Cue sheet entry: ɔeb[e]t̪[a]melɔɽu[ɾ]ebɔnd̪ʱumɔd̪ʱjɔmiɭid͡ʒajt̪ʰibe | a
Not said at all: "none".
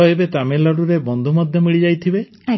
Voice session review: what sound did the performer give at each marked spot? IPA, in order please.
e, a, ɾ

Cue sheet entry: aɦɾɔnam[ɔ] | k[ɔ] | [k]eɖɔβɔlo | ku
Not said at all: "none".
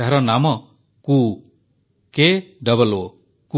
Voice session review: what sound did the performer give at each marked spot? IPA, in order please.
ɔ, u, k

